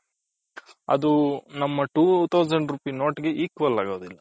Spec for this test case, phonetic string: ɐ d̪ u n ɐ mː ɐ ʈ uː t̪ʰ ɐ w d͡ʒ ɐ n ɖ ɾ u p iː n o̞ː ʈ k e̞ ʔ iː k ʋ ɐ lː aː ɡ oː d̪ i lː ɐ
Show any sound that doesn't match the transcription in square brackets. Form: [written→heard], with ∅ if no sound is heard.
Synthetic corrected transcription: ɐ d̪ u n ɐ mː ɐ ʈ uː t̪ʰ ɐ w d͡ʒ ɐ [n→ɳ] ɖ ɾ u p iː n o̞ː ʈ [k→ɡ] e̞ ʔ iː k ʋ ɐ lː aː ɡ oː d̪ i lː ɐ